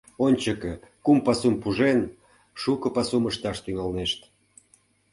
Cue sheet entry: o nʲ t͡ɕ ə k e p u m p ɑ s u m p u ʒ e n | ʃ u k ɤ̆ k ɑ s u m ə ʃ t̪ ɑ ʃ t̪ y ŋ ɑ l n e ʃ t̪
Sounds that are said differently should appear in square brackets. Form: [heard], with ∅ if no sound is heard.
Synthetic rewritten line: o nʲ t͡ɕ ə k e [k] u m p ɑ s u m p u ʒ e n | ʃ u k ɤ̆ [p] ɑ s u m ə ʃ t̪ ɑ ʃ t̪ y ŋ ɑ l n e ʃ t̪